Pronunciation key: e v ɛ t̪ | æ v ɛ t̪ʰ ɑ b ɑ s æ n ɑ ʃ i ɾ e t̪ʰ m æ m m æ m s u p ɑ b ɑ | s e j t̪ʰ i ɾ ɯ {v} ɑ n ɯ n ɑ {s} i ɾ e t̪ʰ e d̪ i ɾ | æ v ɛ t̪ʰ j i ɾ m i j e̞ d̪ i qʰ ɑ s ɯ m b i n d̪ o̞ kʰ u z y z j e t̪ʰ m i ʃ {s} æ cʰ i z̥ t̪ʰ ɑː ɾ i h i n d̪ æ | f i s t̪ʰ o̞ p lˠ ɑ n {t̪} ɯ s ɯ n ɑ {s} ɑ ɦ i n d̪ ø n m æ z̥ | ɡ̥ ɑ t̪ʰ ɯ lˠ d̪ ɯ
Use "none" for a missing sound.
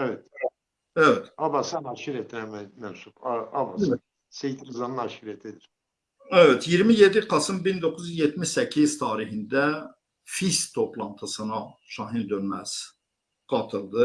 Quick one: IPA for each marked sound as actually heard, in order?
z, ʃ, s, t̪ʰ, ʃ

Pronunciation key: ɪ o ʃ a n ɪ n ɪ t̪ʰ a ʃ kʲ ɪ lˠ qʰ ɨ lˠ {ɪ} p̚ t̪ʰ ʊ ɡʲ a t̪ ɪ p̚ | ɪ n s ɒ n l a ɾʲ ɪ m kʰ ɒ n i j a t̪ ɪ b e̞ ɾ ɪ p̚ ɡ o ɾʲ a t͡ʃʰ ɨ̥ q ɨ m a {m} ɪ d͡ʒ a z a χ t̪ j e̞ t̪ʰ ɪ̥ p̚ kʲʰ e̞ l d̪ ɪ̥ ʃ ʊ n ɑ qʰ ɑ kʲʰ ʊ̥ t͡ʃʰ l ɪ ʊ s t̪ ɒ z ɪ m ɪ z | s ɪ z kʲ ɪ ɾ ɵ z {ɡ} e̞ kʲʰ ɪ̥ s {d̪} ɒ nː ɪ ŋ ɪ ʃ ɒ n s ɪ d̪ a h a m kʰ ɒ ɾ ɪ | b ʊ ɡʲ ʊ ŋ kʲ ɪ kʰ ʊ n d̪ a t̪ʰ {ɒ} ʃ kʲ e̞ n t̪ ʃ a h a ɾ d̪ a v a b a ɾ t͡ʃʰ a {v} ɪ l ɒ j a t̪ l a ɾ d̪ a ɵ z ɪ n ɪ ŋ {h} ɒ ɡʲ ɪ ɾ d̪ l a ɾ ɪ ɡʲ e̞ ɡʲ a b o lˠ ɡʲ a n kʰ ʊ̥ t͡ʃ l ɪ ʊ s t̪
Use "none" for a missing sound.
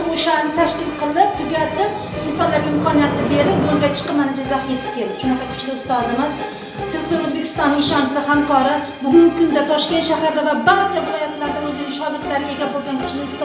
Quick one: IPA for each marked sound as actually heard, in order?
ɪ, n, b, t̪, ɒ, v, ʃ

